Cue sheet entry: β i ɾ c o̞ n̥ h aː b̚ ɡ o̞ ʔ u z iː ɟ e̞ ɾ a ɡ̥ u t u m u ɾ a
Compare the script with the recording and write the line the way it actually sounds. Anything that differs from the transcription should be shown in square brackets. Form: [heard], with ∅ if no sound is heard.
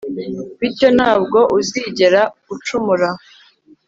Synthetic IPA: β i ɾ c o̞ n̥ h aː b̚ ɡ o̞ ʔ u z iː ɟ e̞ ɾ a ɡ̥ u [t͡ʃ] u m u ɾ a